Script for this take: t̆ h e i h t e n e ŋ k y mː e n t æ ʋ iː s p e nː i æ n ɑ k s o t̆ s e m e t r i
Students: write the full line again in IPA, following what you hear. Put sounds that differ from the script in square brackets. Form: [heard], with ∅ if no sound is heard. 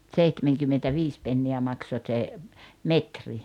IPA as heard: t̆ [s] e i h t e [m] e ŋ k y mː e n t æ ʋ iː s p e nː i æ [m] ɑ k s o t̆ s e m e t r i